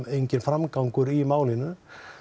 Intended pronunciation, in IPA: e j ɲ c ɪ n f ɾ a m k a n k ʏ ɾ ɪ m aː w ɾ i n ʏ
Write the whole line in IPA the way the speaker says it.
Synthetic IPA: e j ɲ c ɪ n f ɾ a m k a ŋ k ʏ ɾ i m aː w l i n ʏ